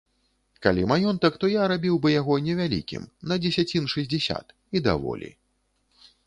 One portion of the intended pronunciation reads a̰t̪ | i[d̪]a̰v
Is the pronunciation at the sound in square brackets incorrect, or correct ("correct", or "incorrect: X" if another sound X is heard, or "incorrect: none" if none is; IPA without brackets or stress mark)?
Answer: correct